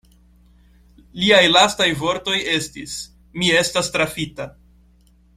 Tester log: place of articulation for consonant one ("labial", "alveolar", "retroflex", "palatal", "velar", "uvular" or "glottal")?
alveolar